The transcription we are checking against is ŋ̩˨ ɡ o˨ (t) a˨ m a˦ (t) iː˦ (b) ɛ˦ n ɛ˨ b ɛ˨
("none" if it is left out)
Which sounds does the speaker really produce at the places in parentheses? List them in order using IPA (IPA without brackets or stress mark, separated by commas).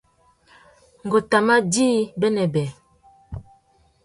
t, d, b